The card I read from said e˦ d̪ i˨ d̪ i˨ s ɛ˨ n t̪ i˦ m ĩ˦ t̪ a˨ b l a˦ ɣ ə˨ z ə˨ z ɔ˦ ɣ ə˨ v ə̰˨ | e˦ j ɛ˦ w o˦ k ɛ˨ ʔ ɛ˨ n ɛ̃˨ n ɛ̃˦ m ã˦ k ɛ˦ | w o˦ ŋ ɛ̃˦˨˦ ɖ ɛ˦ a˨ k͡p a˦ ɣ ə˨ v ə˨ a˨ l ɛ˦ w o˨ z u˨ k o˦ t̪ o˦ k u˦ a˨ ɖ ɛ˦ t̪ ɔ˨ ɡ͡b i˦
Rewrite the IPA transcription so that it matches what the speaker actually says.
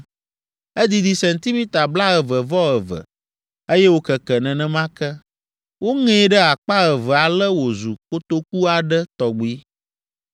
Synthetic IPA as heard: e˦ d̪ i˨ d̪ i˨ s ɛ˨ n t̪ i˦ m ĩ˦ t̪ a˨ b l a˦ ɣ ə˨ v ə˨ v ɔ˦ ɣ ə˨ v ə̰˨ | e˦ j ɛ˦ w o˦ k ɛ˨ k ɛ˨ n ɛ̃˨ n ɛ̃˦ m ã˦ k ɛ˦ | w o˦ ŋ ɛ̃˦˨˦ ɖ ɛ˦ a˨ k͡p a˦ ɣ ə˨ v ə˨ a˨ l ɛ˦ w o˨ z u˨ k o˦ t̪ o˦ k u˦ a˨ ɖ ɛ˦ t̪ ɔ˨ ɡ͡b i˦